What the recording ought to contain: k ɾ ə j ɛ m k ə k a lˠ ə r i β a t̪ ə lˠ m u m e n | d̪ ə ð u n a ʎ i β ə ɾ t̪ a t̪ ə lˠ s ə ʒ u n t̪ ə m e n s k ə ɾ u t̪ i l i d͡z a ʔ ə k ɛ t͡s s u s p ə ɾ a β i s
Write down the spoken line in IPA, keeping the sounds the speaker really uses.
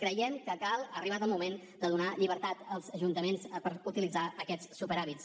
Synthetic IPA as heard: k ɾ ə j ɛ m k ə k a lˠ ə r i β a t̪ ə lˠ m u m e n | d̪ ə ð u n a ʎ i β ə ɾ t̪ a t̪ ə lˠ z ə ʒ u n t̪ ə m e n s p ə ɾ u t̪ i l i d͡z a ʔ ə k ɛ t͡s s u p ə ɾ a β i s

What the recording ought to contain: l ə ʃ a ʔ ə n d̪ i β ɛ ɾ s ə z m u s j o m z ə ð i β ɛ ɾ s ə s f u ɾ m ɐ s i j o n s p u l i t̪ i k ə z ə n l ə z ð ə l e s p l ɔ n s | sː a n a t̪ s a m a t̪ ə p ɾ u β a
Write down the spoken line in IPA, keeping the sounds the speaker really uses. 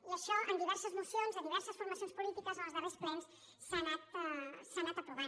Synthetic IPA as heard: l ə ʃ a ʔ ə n d̪ i β ɛ ɾ s ə z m u s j o n z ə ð i β ɛ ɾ s ə s f u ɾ m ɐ s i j o n s p u l i t̪ i k ə z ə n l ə z ð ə r e s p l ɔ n s | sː a n a t̪ s a n a t̪ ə p ɾ u β a

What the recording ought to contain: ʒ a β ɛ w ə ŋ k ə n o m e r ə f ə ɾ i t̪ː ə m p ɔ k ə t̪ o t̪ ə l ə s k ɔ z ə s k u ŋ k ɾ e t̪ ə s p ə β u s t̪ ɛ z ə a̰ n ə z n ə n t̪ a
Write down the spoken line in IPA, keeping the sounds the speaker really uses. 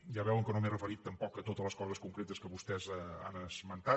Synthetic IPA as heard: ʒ a β ɛ w ə ŋ k ə n o m e r ə f ə ɾ i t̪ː ə m p ɔ k ə t̪ o t̪ ə l ə s k ɔ z ə s k u ŋ k ɾ e t̪ ə s k ə β u s t̪ ɛ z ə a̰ n ə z m ə n t̪ a

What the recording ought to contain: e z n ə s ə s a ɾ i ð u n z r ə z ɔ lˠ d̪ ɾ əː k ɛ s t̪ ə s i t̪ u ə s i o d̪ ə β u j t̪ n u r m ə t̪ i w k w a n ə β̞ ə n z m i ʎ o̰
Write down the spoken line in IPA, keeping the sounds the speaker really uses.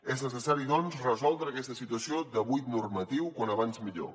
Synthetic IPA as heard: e z n ə s ə s a ɾ i ð ɔ n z r ə z ɔ lˠ d̪ ɾ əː k ɛ s t̪ ə s i t̪ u ə s i o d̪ ə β u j t̪ n u r m ə t̪ i w k w a n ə β̞ a n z m i ʎ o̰

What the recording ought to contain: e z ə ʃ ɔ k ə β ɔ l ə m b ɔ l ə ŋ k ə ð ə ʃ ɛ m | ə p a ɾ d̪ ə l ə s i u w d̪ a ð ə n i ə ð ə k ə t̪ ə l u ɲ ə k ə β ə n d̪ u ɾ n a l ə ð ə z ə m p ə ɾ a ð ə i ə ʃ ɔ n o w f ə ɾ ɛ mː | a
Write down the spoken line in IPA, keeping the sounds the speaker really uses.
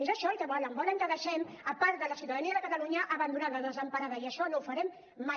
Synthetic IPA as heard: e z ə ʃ ɔ k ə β ɔ l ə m b ɔ l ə ŋ k ə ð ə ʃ ɛ m | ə p a ɾ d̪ ə l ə s i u w t̪ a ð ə n i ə ð ə k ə t̪ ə l u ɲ ə ʔ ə β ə n d̪ u n a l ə ð ə z ə m p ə ɾ a ð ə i ə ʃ ɔ n o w f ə ɾ ɛ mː | a

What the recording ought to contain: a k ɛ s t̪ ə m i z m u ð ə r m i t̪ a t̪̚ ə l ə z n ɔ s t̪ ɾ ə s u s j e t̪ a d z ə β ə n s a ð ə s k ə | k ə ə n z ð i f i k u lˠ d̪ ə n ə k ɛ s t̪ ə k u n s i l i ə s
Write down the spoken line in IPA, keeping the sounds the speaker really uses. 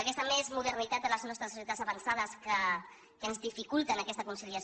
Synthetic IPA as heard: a k ɛ s t̪ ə m e z m u ð ə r n i t̪ a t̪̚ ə l ə z n ɔ s t̪ ɾ ə s u s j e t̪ a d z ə β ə n s a ð ə s k ə | k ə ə n z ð i f i k u lˠ t̪ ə n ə k ɛ s t̪ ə k u n s i l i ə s

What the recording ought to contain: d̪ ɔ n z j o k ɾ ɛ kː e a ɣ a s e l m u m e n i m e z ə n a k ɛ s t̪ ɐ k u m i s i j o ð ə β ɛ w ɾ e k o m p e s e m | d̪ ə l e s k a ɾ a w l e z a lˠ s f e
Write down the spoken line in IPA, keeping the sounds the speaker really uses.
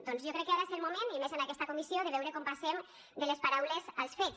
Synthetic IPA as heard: d̪ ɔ n z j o k ɾ ɛ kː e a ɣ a s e l m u m e n i m e z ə n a k ɛ s t̪ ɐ k u m i s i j o ð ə β ɛ w ɾ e k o m p a s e m | d̪ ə l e s p a ɾ a w l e z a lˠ s f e

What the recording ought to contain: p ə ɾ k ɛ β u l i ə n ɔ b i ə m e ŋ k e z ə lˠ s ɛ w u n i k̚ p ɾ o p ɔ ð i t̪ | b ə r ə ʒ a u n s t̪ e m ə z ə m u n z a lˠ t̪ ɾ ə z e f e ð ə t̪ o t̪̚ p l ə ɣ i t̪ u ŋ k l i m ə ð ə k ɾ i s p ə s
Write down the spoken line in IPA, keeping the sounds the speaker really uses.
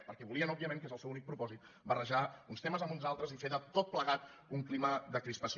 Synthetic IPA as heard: p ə ɾ k ɛ β u l i ə n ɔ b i ə m e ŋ k e z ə lˠ s ɛ w u n i k̚ p ɾ u p ɔ z i t̪ | b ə r ə ʒ a u n s t̪ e m ə z ə m u n z a lˠ t̪ ɾ ə z i f e ð ə t̪ o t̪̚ p l ə ɣ a t̪ u ŋ k l i m ə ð ə k ɾ i s p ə s

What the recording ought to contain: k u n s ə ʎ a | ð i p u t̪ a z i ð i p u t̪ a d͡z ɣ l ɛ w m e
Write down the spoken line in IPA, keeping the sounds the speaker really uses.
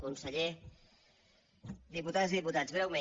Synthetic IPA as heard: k u n s ə ʎ e | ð i p u t̪ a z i ð i p u t̪ a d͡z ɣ ɾ ɛ w m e

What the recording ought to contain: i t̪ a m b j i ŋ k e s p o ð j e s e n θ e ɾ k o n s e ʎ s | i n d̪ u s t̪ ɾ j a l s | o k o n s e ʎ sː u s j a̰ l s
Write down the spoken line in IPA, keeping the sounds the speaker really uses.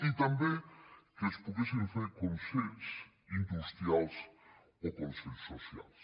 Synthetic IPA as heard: i t̪ a m b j e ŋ k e s p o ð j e s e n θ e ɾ k o n s e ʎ s | i n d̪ u s t̪ ɾ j a l s | o k o n s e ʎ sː o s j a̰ l s

